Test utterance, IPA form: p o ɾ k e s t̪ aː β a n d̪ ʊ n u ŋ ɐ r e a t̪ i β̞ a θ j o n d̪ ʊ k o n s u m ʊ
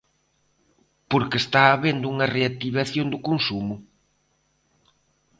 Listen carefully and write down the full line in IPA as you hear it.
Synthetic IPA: p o ɾ k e s t̪ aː β e n d̪ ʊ u ŋ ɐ r e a t̪ i β̞ a θ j o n d̪ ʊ k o n s u m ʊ